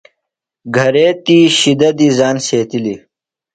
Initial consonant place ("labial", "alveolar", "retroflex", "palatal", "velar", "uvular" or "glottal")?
velar